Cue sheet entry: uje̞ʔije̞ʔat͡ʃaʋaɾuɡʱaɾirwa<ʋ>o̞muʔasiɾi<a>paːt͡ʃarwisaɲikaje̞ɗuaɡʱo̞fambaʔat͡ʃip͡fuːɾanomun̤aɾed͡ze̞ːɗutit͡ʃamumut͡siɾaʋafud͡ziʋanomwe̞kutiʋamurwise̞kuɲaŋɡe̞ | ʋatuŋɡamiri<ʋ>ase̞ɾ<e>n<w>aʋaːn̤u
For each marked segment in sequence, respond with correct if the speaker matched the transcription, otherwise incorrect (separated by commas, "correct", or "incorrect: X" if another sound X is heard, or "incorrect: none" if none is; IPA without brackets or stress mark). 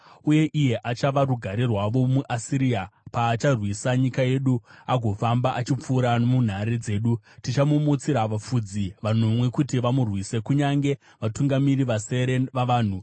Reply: correct, correct, correct, correct, incorrect: ʋ